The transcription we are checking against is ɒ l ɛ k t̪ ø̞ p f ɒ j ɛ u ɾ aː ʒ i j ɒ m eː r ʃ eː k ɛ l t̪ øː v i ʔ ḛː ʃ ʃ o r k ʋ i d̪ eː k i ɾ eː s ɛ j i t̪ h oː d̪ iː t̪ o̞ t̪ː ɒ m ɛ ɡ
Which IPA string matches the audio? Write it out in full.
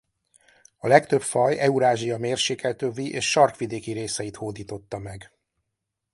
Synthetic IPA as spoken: ɒ l ɛ k t̪ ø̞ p f ɒ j ɛ u ɾ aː ʒ i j ɒ m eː r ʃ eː k ɛ l t̪ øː v i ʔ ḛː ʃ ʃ ɒ r k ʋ i d̪ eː k i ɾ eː s ɛ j i t̪ h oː d̪ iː t̪ o̞ t̪ː ɒ m ɛ ɡ